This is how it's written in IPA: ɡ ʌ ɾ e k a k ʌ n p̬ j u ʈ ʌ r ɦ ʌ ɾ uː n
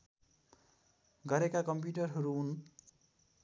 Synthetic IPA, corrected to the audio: ɡ ʌ ɾ e k a k ʌ m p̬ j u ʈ ʌ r ɦ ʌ ɾ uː n